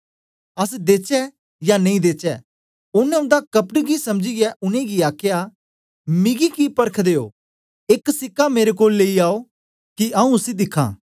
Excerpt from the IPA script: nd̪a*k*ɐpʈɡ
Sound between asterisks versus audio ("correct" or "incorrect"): correct